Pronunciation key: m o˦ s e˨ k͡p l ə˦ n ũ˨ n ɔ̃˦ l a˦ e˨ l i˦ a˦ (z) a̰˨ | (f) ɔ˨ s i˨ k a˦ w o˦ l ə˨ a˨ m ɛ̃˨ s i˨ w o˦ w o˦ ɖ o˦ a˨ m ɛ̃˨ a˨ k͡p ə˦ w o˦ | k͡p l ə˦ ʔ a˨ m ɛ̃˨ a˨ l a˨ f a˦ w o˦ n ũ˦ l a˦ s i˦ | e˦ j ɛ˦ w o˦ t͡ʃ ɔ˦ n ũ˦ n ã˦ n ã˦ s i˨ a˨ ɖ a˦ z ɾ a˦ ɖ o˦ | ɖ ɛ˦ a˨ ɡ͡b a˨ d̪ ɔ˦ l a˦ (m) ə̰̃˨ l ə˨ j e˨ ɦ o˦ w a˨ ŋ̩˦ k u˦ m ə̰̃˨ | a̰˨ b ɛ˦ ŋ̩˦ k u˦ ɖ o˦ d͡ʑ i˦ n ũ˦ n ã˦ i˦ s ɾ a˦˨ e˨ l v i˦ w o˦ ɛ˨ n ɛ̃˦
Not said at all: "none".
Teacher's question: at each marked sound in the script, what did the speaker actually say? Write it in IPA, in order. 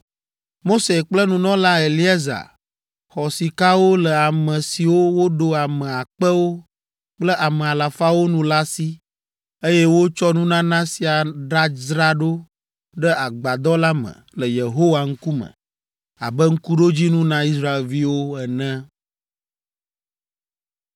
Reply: z, x, m

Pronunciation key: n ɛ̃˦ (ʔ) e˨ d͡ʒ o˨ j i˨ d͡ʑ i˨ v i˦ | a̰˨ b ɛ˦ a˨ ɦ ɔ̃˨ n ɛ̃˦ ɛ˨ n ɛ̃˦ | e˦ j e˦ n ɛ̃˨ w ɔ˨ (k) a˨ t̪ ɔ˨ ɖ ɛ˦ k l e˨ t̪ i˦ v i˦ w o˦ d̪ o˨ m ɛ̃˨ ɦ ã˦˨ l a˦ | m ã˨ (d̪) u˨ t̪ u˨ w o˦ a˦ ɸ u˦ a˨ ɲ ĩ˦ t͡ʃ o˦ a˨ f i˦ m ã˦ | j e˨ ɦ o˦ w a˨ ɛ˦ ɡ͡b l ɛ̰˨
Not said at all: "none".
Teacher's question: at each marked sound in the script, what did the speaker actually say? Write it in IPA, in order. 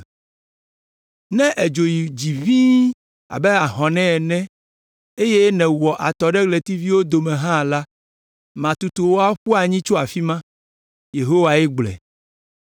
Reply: ʔ, ʔ, t̪

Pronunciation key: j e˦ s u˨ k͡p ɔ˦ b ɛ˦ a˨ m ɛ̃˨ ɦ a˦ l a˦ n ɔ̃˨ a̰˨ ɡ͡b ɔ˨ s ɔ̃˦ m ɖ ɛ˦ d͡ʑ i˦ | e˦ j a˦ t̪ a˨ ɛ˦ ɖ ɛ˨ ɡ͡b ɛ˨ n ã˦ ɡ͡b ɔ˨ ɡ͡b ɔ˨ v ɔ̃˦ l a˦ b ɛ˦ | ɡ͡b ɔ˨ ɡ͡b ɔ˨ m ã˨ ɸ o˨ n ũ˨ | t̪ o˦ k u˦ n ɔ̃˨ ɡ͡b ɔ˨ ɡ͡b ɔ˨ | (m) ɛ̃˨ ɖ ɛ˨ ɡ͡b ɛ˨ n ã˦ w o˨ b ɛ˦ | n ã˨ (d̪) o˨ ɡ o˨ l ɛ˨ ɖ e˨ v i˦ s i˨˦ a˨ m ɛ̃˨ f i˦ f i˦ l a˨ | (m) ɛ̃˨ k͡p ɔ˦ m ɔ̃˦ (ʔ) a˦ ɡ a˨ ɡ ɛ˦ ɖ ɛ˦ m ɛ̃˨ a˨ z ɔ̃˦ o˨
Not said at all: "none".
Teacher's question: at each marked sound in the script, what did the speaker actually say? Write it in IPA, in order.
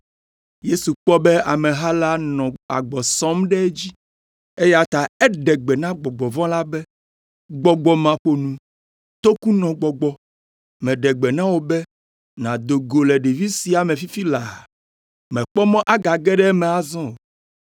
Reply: m, d̪, m, ʔ

